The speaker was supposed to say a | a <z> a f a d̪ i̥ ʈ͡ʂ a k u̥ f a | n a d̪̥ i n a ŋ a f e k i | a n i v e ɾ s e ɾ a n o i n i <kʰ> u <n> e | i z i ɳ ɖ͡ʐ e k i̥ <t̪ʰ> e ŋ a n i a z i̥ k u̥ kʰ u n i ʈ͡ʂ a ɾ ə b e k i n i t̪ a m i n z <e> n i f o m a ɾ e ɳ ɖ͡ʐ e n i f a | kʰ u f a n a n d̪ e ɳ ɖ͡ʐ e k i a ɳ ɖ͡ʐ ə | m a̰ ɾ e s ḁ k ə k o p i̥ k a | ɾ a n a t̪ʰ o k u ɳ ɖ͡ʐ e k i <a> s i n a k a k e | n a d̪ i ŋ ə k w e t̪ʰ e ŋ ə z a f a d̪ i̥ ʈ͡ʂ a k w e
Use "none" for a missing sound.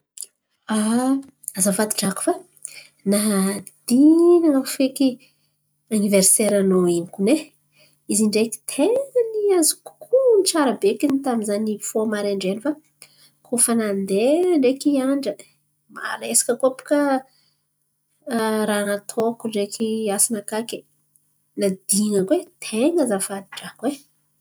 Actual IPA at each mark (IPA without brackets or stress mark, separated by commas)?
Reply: z, k, n, t̪ʰ, a, a